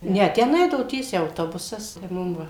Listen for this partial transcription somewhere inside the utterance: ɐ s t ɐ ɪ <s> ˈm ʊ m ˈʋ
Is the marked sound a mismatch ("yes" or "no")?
yes